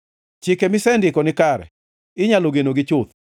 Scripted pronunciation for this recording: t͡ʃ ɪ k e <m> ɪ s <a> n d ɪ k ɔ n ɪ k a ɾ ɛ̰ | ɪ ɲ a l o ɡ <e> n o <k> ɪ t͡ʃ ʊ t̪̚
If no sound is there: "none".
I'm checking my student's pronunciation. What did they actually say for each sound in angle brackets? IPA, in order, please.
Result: m, ɛ, e, ɡ

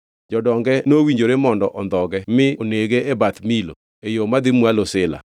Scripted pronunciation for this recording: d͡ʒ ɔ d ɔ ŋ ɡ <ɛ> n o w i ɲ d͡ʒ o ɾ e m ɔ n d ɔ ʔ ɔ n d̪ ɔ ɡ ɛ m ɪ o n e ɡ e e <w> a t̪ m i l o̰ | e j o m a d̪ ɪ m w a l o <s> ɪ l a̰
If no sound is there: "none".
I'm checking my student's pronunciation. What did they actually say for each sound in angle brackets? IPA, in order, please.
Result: ɛ, b, s

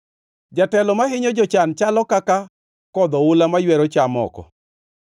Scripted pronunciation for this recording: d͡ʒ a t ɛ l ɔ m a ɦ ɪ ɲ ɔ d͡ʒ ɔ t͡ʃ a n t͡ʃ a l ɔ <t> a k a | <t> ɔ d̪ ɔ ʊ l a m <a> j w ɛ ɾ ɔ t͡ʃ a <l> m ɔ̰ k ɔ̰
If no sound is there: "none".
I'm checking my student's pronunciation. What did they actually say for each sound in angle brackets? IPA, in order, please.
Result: k, k, a, none

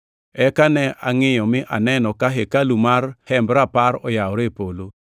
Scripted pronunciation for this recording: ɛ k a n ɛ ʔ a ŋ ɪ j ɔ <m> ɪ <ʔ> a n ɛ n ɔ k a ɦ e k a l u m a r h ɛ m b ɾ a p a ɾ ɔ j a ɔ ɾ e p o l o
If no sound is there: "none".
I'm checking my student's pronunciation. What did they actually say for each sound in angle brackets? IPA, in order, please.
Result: m, ʔ

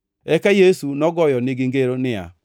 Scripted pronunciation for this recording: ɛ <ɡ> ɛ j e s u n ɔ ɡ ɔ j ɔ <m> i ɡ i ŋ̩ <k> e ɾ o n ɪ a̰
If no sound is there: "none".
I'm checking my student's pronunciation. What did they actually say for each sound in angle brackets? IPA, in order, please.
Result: k, n, ɡ

